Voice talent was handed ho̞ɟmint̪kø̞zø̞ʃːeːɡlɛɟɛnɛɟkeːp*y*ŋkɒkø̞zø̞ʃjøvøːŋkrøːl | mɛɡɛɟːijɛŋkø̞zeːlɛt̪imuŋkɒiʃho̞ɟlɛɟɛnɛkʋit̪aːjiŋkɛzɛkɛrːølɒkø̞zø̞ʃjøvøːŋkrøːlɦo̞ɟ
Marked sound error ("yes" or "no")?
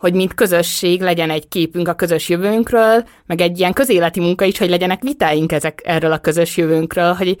no